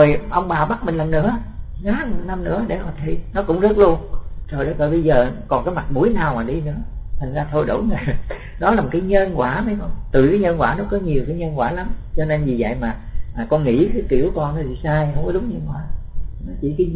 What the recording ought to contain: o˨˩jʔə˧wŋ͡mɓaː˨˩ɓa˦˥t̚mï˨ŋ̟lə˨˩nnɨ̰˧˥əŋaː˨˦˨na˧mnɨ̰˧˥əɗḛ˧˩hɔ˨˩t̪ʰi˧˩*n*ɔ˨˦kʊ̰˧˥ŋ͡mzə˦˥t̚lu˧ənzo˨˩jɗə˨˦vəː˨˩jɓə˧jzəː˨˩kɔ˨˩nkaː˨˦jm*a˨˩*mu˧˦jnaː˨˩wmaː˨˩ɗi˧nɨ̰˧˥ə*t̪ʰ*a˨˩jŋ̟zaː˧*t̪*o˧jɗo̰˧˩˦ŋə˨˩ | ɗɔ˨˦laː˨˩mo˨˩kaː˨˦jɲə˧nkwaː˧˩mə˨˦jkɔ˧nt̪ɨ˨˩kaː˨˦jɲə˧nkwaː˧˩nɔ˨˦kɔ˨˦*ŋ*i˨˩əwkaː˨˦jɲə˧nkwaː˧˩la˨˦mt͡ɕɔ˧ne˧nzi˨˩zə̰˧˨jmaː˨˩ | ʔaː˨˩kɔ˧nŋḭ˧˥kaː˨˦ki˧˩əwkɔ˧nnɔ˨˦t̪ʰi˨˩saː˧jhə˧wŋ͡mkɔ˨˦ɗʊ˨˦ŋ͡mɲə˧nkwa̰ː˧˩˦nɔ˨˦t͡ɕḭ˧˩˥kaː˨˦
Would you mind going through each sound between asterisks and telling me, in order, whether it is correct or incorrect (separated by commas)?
correct, correct, correct, incorrect, incorrect